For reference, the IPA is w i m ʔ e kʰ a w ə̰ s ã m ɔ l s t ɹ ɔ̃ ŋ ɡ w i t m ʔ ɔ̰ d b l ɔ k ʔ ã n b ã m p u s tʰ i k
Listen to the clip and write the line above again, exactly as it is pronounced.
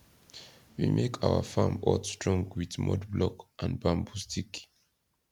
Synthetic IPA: w i m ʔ e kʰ a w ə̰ f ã m ɔ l s t ɹ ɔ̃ ŋ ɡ w i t m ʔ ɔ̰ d b l ɔ k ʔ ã n b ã m b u s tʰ i k